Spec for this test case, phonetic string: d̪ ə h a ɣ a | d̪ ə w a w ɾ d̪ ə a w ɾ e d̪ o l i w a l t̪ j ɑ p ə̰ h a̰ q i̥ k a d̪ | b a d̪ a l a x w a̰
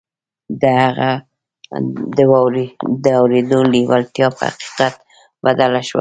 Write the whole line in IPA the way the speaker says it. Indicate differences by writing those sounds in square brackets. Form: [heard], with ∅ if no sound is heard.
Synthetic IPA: d̪ ə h a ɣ a | d̪ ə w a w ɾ d̪ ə a w ɾ e d̪ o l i w a l t̪ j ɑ p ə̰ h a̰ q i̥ [q] a [t̪] | b a d̪ a l a [ʃ] w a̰